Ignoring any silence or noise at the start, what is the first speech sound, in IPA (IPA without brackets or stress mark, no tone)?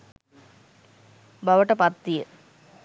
b